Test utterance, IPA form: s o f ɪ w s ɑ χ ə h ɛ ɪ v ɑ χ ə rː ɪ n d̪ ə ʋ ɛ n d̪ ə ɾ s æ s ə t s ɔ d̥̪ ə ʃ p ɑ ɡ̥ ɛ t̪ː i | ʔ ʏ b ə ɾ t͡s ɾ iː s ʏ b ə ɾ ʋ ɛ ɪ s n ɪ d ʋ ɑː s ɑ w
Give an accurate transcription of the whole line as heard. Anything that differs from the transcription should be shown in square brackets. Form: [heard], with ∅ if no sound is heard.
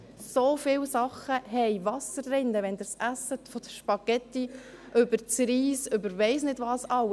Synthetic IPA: s o f ɪ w s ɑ χ ə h ɛ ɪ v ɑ [s] ə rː ɪ n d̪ ə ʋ ɛ n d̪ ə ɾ s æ s ə t [f] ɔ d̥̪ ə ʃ p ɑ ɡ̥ ɛ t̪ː i | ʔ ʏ b ə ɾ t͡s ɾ iː s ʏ b ə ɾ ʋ ɛ ɪ s n ɪ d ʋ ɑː s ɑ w

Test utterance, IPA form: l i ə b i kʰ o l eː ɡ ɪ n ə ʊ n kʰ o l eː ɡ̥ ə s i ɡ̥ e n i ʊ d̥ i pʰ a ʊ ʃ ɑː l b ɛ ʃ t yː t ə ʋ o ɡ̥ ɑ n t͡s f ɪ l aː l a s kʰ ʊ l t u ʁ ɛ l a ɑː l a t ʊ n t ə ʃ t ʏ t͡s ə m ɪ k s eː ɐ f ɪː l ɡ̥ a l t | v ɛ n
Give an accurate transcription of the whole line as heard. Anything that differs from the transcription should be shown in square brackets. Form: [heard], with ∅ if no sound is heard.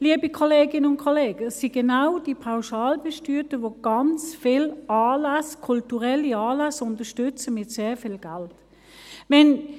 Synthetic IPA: l i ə b i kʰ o l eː ɡ ɪ n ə ʊ n kʰ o l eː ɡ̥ ə s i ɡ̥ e n [a] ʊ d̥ i pʰ a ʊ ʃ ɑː l b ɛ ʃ t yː t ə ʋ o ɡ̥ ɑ n t͡s f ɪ l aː l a s kʰ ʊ l t u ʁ ɛ l [i] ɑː l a [s] ʊ n t ə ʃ t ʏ t͡s ə m ɪ [t] s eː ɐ f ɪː l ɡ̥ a l t | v ɛ n

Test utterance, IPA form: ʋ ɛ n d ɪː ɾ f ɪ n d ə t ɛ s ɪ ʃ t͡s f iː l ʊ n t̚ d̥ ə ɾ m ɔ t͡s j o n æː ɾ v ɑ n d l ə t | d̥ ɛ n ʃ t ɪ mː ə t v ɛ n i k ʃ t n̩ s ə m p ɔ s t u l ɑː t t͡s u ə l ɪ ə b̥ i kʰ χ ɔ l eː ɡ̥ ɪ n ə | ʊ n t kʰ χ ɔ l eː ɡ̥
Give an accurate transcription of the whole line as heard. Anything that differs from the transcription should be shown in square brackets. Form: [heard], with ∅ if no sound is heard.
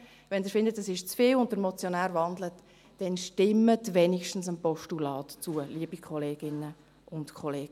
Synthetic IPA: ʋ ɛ n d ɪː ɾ f ɪ n d ə t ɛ s ɪ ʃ t͡s f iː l ʊ n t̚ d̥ ə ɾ m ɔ t͡s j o n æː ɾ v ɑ n d l ə t | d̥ ɛ n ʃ t ɪ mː ə t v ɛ n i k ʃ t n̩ s ə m p ɔ [ʃ] t u l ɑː t t͡s u ə l [i] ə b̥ i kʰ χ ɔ l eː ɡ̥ ɪ n ə | ʊ n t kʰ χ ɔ l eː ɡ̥

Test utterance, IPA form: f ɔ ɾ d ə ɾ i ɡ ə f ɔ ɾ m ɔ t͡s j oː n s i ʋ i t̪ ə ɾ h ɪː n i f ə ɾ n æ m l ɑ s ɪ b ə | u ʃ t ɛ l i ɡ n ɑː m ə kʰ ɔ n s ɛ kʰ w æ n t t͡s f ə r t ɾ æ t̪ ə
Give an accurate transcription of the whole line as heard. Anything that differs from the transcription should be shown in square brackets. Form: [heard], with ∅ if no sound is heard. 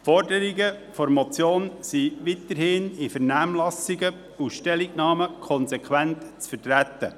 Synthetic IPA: f ɔ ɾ d ə ɾ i ɡ ə f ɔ ɾ m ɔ t͡s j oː n s i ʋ i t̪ ə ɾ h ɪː n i f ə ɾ n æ m l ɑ s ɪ [ɡ] ə | u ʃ t ɛ l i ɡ n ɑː m ə kʰ ɔ n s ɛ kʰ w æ n t t͡s f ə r t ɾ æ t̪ ə

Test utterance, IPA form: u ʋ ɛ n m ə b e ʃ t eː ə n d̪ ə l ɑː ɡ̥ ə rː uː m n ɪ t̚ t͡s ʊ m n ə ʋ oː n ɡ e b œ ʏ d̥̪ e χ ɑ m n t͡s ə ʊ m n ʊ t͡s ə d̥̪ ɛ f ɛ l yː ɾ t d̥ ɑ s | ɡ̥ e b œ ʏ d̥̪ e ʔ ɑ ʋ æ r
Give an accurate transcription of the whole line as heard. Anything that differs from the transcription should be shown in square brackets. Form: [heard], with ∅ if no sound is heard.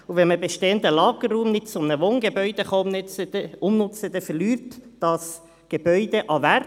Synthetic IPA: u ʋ ɛ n m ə b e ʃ t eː ə n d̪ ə l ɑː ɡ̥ ə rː uː m n ɪ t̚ t͡s ʊ m n ə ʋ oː n ɡ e b œ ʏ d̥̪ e χ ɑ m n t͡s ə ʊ m n ʊ t͡s ə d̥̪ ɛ f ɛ l yː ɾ t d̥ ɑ s | ɡ̥ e b œ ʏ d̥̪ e ʔ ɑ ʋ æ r

